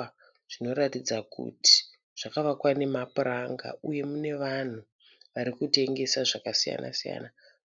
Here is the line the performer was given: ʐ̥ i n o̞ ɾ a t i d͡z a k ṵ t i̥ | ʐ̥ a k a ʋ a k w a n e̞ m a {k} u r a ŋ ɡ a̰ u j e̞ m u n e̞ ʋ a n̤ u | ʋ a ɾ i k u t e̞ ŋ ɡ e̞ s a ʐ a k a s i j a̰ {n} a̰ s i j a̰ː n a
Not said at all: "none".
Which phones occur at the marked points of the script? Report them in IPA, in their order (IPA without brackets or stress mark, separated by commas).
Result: p, n